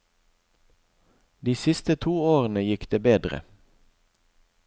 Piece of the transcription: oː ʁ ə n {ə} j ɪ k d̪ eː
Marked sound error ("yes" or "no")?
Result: no